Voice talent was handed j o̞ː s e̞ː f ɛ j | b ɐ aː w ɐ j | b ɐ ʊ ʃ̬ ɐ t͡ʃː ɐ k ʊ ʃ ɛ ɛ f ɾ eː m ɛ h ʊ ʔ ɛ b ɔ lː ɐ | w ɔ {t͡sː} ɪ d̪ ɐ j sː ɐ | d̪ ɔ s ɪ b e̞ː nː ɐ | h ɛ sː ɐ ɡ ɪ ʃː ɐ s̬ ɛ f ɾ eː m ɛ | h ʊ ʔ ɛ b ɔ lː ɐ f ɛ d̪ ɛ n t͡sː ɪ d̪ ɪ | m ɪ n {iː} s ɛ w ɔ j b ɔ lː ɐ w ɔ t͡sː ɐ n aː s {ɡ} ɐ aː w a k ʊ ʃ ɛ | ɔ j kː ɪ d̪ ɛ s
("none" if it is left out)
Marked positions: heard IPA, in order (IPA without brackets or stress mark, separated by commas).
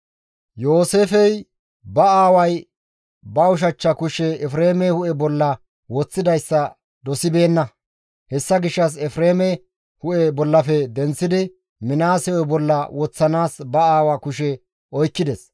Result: t͡sː, aː, b